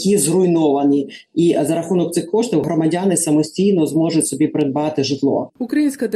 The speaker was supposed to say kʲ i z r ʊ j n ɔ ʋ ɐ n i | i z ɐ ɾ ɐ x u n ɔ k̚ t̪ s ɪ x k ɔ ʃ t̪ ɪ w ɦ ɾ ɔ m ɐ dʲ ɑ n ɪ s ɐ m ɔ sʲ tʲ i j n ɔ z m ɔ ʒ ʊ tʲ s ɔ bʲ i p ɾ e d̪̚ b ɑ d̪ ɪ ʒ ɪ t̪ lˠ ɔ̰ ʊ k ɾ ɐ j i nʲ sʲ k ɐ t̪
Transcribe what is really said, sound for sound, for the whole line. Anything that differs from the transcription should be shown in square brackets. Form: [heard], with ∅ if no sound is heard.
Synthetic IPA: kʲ i z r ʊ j n ɔ ʋ ɐ n i | i z ɐ ɾ ɐ x u n ɔ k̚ t̪ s ɪ x k ɔ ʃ t̪ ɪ w ɦ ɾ ɔ m ɐ dʲ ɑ n ɪ s ɐ m ɔ sʲ tʲ i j n ɔ z m ɔ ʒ ʊ tʲ s ɔ bʲ i p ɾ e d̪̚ b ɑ [t̪] ɪ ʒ ɪ t̪ lˠ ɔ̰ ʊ k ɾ ɐ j i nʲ sʲ k ɐ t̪